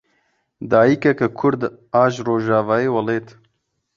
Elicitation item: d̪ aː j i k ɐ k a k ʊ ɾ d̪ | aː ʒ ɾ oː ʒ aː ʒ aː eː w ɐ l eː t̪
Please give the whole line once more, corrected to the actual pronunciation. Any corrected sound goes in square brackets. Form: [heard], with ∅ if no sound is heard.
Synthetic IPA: d̪ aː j i k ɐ k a [kʰ] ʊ ɾ d̪ | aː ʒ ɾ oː ʒ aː [v] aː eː w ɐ l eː t̪

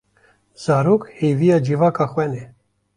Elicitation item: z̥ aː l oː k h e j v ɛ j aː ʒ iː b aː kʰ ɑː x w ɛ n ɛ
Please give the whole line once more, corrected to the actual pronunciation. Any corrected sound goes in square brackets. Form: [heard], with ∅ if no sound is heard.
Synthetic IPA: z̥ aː [ɾ] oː k h e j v [i] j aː [d͡ʒ] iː [v] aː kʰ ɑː x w ɛ n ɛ

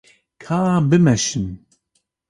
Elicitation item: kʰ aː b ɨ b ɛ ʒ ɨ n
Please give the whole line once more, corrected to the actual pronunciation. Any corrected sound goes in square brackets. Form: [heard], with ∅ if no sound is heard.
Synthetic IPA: kʰ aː b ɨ [m] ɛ [ʃ] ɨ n

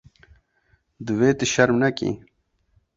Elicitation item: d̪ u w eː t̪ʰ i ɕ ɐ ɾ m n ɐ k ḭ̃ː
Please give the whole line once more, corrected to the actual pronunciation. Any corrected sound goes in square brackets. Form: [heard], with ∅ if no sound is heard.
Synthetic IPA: d̪ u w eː [t̪] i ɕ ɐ ɾ m n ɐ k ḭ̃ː

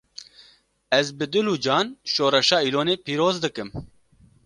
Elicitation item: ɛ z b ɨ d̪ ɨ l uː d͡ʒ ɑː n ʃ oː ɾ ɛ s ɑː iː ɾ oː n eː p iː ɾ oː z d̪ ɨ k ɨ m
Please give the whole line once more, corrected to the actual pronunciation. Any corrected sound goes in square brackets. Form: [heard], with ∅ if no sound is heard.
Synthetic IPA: ɛ z b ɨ d̪ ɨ l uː d͡ʒ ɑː n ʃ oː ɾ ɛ [ʃ] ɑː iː [l] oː n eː p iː ɾ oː z d̪ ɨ k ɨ m

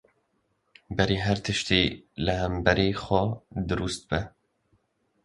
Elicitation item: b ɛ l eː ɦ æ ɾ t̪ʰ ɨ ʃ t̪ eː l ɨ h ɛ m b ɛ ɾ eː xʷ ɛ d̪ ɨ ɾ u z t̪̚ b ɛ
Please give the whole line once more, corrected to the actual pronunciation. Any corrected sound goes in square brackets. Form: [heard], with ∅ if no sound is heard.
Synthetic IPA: b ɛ [ɾ] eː ɦ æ ɾ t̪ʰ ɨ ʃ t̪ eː l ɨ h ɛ m b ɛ ɾ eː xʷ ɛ d̪ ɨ ɾ u [s] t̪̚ b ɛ

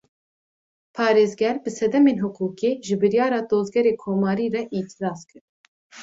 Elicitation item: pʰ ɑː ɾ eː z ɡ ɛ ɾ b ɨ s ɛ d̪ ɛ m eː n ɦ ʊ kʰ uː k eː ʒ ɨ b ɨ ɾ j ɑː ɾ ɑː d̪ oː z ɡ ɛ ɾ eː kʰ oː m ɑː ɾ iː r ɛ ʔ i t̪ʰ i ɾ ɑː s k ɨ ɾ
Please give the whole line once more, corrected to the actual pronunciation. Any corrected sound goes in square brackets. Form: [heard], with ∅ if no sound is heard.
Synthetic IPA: pʰ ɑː ɾ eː z ɡ ɛ ɾ b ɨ s ɛ d̪ ɛ m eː n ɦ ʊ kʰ uː k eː ʒ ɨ b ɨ ɾ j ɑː ɾ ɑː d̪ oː z ɡ ɛ ɾ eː kʰ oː m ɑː ɾ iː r ɛ ʔ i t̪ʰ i ɾ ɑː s k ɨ ɾ

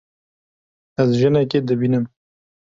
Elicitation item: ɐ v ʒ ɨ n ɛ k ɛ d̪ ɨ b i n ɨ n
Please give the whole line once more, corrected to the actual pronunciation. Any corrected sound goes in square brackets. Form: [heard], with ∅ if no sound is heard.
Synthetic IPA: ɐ [z] ʒ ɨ n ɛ k [e] d̪ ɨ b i n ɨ [m]

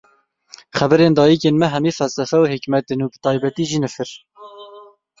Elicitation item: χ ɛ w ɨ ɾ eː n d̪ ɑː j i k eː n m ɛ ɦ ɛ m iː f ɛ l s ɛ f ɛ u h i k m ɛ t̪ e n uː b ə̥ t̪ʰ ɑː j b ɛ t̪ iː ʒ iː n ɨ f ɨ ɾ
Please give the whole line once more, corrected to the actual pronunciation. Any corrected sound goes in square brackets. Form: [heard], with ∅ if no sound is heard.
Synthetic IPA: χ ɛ [b] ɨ ɾ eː n d̪ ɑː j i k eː n m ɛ ɦ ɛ m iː f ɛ l s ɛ f ɛ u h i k m ɛ t̪ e n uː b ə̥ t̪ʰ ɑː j b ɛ t̪ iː ʒ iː n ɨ f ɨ ɾ

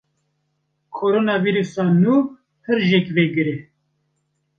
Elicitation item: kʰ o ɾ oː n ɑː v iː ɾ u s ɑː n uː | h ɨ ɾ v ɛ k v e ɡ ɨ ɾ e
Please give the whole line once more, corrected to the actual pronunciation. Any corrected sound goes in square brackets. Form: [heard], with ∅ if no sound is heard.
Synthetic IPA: kʰ o ɾ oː n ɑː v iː ɾ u s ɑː n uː | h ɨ ɾ [ʒ] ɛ k v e ɡ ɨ ɾ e

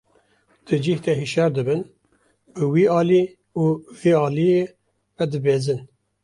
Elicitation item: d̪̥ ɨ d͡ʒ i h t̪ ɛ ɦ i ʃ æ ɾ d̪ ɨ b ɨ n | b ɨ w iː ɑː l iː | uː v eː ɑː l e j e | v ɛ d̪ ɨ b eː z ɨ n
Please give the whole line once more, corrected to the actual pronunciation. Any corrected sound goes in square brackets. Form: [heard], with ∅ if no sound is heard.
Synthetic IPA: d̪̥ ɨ d͡ʒ i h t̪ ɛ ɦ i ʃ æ ɾ d̪ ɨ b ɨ n | b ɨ w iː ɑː l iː | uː v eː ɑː l [i] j e | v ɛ d̪ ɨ b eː z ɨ n

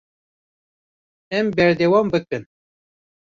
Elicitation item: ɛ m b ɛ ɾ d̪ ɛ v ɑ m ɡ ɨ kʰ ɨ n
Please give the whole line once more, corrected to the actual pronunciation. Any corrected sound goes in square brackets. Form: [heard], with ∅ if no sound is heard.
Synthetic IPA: ɛ m b ɛ ɾ d̪ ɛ [w] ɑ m [b] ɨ [k] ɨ n

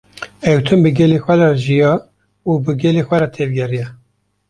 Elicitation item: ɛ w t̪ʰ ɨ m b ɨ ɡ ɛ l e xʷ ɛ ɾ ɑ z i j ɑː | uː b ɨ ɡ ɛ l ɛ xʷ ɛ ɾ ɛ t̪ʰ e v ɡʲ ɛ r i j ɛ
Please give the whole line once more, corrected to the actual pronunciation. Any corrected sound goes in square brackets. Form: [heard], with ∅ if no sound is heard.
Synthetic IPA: ɛ w t̪ʰ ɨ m b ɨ ɡ ɛ l e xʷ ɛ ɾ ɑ [ʒ] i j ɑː | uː b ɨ ɡ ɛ l [e] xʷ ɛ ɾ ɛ t̪ʰ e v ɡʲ ɛ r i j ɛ

